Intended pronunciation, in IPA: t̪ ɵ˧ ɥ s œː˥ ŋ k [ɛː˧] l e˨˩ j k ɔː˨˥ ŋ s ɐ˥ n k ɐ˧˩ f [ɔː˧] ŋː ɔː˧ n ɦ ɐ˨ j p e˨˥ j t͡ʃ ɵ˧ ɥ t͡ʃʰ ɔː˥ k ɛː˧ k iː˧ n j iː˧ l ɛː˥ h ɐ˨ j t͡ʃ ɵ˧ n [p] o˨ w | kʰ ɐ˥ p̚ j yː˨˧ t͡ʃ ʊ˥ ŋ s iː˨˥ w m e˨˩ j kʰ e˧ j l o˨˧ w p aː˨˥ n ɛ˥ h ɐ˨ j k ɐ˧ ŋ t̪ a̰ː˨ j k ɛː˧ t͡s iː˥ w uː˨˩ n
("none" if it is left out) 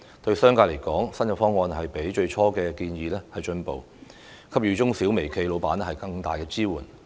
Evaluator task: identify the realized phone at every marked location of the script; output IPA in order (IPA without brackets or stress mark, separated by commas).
aː˧, ɔː˥, p